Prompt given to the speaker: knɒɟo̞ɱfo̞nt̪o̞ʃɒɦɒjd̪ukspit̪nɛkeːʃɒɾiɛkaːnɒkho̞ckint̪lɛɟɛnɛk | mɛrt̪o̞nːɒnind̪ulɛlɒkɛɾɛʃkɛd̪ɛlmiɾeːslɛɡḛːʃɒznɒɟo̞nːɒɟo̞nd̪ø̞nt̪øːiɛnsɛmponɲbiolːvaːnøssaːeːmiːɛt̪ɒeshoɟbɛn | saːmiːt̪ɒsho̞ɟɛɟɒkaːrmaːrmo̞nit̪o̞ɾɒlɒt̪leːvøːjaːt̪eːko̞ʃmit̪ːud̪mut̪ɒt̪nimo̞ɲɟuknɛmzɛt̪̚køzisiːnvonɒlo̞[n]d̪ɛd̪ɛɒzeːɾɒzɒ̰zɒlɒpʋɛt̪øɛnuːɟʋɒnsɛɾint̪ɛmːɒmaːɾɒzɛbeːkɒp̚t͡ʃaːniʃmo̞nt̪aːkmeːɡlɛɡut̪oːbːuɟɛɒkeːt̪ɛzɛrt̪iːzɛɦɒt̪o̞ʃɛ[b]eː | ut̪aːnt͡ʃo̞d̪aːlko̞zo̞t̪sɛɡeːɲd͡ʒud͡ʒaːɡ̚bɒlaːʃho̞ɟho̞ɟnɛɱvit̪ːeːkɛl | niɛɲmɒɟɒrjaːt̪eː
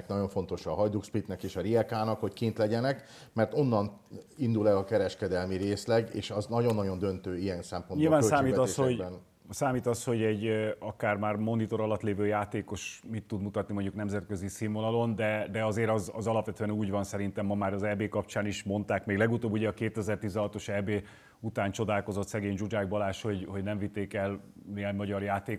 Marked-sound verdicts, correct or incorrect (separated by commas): correct, correct